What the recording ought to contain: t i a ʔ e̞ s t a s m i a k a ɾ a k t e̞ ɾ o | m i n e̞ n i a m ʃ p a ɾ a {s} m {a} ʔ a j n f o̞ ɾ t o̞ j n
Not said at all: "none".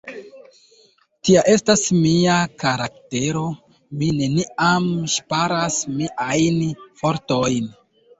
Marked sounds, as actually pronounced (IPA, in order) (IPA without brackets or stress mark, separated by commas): s, i